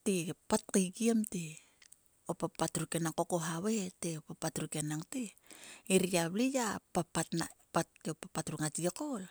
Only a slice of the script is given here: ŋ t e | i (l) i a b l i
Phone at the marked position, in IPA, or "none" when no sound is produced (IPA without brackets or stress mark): ɾ